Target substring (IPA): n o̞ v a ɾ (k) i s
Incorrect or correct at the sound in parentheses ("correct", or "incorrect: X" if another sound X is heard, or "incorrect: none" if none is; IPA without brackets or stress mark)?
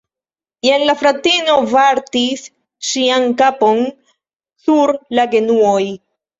incorrect: t